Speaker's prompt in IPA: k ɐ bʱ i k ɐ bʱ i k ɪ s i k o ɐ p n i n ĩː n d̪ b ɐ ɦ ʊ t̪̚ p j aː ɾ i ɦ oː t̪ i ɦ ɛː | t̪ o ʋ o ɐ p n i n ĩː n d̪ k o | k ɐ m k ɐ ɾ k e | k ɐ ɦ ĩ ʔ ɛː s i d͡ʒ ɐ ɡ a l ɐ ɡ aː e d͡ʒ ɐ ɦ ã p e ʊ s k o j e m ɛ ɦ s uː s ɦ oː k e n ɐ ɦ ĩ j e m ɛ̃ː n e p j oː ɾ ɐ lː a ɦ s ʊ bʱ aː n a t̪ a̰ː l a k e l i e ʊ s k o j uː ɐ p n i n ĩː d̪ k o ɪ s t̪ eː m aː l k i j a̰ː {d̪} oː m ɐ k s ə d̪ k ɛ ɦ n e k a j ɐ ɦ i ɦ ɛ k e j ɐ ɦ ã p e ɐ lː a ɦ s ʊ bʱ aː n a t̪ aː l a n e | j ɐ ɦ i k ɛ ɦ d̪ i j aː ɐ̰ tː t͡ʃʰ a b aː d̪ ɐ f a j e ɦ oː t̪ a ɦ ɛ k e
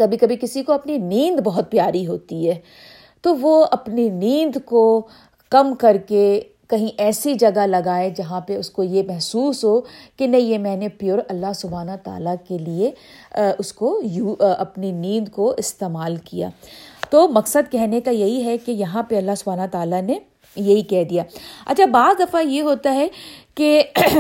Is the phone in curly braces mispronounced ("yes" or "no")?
yes